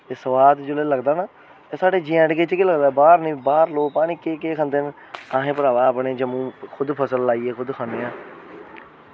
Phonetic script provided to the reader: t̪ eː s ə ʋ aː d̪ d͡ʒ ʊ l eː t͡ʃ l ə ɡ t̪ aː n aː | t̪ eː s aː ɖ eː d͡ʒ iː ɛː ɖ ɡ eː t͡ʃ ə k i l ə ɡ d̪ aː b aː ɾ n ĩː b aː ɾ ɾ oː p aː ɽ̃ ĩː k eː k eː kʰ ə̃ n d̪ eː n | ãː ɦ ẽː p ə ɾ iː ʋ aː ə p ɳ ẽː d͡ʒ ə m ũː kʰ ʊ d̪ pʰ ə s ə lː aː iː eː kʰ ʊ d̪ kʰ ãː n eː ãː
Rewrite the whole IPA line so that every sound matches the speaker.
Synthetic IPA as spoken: t̪ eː s ə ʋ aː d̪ d͡ʒ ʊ l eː l ə ɡ d̪ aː n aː | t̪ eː s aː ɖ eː d͡ʒ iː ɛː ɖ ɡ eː t͡ʃ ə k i l ə ɡ d̪ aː b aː ɾ n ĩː b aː ɾ l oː p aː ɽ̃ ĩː k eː k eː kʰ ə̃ n d̪ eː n | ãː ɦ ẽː p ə ɾ aː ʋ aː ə p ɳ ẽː d͡ʒ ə m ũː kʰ ʊ d̪ pʰ ə s ə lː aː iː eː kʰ ʊ d̪ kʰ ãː n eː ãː